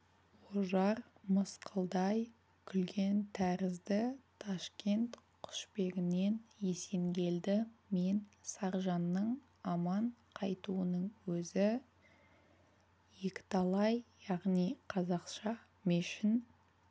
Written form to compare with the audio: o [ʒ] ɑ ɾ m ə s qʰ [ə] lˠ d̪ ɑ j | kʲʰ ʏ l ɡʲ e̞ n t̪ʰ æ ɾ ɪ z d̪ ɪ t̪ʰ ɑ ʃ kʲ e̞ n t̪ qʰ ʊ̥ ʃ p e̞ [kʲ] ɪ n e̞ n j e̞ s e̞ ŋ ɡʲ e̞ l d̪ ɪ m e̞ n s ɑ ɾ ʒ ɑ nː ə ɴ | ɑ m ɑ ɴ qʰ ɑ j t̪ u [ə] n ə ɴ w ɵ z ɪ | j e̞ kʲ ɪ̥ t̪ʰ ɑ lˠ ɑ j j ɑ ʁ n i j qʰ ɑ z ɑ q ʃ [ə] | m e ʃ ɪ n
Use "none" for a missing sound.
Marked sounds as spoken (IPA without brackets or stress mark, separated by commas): ʒ, ə, ɡʲ, ə, ɑ